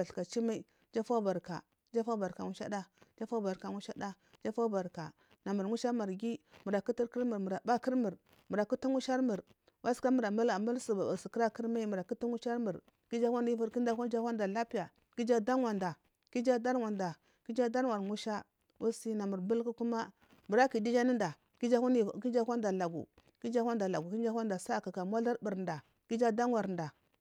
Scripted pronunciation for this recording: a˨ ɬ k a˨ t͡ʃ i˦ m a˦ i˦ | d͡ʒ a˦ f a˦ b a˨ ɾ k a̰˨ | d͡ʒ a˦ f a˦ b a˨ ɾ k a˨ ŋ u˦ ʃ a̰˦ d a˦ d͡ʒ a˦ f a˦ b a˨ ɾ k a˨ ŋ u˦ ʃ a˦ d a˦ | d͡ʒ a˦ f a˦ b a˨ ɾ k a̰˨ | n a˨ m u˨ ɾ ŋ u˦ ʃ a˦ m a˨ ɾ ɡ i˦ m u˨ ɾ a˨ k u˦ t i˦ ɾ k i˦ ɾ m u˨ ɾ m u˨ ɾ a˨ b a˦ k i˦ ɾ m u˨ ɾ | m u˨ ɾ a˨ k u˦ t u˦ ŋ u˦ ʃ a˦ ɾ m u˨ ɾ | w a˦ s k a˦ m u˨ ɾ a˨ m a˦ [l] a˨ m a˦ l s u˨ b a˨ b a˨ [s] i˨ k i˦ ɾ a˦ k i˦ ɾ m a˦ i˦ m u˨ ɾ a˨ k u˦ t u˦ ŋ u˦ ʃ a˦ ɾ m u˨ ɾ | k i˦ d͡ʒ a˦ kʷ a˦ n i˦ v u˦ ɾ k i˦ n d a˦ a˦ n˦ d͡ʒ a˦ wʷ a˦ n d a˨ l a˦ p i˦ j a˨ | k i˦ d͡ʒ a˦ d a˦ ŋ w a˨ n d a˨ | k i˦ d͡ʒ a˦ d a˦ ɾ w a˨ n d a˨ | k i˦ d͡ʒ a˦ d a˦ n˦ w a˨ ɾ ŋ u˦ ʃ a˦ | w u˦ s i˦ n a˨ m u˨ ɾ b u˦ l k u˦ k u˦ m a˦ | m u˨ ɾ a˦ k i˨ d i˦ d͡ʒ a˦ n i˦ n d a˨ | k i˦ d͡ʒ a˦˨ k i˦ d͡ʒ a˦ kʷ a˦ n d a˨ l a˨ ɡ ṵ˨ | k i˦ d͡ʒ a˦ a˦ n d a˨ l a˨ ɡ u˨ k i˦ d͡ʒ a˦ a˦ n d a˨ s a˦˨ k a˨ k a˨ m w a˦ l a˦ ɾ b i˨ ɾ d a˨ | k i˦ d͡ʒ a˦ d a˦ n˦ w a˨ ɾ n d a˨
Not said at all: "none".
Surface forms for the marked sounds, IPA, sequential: l, s

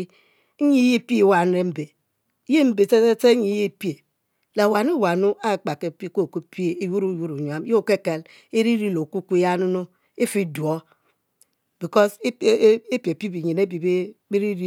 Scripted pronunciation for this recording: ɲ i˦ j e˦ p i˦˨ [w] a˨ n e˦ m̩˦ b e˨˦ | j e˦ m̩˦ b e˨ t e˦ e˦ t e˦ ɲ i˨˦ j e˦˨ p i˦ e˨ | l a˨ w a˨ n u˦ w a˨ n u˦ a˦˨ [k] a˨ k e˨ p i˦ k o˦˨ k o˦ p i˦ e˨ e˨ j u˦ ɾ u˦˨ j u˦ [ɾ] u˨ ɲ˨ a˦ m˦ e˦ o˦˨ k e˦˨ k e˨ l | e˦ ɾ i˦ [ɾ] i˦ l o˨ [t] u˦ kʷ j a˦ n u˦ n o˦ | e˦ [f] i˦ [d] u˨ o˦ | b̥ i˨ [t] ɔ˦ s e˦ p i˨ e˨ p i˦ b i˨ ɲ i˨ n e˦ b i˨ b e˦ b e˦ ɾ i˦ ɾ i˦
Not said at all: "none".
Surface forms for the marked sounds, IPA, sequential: w, k͡p, ɾ, ɾ, k, f, d, k

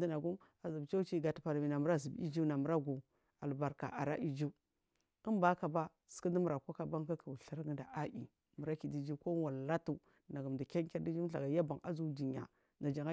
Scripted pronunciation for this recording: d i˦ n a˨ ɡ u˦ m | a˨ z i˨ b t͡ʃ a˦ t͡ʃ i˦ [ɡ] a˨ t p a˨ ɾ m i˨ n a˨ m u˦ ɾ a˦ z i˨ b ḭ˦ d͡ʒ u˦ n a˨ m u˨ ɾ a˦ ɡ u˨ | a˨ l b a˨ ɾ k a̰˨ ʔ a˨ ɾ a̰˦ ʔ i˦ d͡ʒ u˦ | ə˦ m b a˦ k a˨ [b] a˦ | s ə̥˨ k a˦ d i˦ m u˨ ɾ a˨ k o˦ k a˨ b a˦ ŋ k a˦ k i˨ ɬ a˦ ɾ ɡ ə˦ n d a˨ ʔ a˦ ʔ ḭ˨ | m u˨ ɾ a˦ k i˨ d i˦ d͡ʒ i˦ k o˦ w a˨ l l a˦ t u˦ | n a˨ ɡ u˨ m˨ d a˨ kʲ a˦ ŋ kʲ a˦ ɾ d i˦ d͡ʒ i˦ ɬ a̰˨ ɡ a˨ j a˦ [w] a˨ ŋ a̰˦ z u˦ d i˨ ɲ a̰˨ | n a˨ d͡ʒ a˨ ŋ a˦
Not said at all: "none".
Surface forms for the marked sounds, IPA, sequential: ɡ, b, b

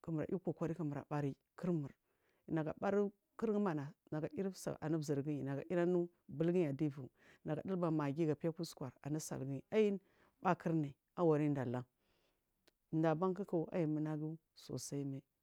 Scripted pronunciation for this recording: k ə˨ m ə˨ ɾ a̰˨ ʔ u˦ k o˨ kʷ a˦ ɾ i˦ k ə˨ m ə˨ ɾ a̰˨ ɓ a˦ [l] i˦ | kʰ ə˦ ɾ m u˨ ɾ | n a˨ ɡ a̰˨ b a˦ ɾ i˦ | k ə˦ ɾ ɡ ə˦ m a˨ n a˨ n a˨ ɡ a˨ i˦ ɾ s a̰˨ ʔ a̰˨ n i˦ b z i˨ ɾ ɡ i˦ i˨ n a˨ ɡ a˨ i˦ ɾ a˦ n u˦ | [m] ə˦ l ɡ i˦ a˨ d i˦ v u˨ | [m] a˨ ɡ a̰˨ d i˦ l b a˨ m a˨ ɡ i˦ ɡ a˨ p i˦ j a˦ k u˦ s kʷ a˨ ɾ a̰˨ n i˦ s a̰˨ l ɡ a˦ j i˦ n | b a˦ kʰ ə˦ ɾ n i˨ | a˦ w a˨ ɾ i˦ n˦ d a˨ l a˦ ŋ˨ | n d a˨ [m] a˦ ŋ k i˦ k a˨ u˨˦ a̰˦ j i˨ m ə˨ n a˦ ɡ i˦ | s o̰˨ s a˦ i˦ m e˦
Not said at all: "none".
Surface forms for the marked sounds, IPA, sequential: ɾ, b, n, b

